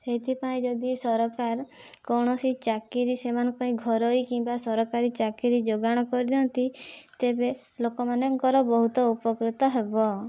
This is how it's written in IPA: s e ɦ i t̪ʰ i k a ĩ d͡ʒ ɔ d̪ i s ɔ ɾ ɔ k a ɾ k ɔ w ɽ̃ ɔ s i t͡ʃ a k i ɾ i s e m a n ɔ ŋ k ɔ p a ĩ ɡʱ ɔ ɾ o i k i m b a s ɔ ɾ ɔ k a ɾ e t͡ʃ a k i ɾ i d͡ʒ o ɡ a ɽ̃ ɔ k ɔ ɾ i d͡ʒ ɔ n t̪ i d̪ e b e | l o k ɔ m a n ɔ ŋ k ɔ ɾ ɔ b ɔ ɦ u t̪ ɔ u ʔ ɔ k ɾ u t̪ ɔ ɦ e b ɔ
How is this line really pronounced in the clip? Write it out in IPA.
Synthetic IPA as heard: s e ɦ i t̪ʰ i p a ĩ d͡ʒ ɔ d̪ i s ɔ ɾ ɔ k a ɾ k ɔ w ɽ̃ ɔ s i t͡ʃ a k i ɾ i s e m a n ɔ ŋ k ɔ p a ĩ ɡʱ ɔ ɾ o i k i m b a s ɔ ɾ ɔ k a ɾ i t͡ʃ a k i ɾ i d͡ʒ o ɡ a ɽ̃ ɔ k ɔ ɾ i d͡ʒ ɔ n t̪ i t̪ e b e | l o k ɔ m a n ɔ ŋ k ɔ ɾ ɔ b ɔ ɦ u t̪ ɔ u p ɔ k ɾ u t̪ ɔ ɦ e b ɔ